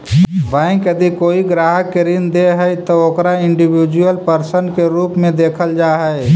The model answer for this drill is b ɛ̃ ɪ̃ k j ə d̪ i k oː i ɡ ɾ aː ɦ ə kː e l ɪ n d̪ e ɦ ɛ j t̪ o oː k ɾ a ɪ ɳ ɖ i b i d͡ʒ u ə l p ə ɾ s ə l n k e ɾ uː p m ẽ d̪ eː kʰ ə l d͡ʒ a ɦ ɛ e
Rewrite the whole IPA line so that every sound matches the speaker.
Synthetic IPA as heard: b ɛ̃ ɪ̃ k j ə d̪ i k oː i ɡ ɾ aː ɦ ə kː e ɾ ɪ n d̪ e ɦ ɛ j t̪ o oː k ɾ a ɪ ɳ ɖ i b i d͡ʒ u ə l p ə ɾ s ə n k e ɾ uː p m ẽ d̪ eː kʰ ə l d͡ʒ a ɦ ɛ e